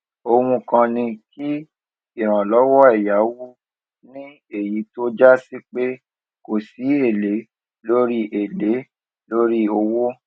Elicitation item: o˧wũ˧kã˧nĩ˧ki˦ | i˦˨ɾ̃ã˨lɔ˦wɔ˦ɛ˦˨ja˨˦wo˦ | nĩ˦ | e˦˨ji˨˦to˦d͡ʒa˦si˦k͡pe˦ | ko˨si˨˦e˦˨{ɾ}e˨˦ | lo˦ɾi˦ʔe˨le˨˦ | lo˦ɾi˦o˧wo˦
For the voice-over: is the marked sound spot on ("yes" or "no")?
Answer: no